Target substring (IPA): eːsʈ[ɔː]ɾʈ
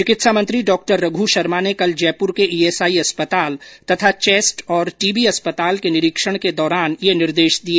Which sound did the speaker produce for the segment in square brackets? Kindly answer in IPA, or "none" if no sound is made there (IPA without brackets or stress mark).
ɔː